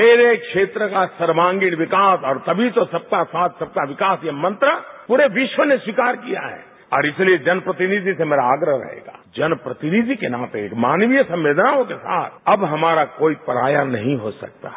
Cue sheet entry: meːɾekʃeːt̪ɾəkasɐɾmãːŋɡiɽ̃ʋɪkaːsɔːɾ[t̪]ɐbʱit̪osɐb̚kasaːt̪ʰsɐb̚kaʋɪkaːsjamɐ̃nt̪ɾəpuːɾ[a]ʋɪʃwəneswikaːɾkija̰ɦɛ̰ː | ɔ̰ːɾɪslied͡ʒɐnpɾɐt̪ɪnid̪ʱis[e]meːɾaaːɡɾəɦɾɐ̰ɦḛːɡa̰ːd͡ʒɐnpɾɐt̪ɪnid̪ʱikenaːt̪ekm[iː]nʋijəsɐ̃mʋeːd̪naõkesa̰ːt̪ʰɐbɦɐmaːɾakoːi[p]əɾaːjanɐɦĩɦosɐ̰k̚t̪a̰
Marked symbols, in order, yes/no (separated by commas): yes, no, yes, no, yes